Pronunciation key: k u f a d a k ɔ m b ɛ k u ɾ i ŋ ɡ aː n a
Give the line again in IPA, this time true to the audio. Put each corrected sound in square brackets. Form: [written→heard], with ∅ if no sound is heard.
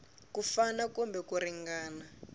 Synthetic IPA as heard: k u f a [d→n] a k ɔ m b ɛ k u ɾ i ŋ ɡ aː n a